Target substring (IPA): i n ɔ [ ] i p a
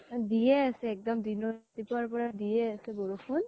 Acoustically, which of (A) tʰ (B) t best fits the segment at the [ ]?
B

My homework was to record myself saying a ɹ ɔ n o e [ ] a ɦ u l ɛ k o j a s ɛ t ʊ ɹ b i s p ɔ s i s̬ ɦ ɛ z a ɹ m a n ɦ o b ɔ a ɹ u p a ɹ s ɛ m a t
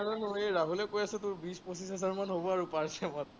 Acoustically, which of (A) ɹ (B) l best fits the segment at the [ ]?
A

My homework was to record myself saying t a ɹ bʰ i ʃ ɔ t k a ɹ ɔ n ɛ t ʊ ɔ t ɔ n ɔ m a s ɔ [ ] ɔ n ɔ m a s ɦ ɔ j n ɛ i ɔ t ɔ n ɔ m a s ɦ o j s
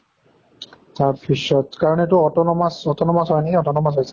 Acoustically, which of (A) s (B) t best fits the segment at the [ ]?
B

